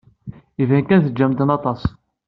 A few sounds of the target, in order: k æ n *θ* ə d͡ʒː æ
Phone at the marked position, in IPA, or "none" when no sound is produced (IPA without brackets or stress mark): θ